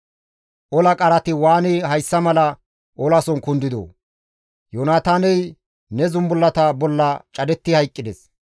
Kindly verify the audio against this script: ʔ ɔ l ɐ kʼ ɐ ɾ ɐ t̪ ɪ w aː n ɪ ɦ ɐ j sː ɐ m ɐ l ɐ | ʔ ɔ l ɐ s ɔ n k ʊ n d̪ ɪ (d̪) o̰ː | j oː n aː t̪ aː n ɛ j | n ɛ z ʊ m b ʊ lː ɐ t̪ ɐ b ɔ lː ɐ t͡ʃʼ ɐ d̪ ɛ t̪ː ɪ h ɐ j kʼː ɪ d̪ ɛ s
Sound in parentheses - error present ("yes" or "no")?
no